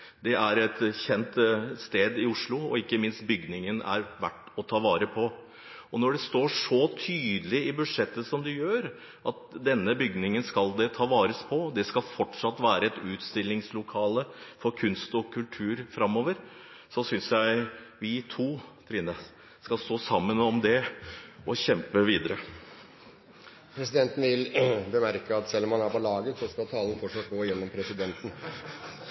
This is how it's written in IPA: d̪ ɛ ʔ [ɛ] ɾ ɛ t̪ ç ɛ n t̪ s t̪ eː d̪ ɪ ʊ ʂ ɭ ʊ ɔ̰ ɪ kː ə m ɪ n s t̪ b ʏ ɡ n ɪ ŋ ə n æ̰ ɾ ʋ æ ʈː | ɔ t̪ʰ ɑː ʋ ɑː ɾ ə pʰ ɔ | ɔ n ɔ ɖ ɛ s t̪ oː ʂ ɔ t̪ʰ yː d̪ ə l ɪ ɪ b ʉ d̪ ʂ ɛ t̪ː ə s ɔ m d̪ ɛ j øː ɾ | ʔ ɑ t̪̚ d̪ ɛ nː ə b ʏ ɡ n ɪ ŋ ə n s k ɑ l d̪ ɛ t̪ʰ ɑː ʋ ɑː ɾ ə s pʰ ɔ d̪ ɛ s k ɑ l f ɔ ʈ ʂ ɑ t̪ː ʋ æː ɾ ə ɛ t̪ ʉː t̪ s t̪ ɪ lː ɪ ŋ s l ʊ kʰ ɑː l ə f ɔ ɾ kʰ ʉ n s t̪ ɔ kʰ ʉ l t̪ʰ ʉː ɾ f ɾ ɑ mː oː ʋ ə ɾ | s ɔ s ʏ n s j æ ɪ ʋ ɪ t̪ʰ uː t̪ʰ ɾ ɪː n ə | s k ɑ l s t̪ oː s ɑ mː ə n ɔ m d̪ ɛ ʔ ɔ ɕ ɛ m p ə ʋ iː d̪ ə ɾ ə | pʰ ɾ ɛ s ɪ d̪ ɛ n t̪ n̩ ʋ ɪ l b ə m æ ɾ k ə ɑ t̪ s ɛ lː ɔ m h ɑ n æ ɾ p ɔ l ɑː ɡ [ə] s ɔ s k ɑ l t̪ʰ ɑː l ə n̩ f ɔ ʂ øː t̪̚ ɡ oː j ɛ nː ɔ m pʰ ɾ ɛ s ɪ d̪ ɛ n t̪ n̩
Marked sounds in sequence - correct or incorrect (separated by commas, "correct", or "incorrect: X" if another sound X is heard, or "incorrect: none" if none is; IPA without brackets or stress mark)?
incorrect: æ, correct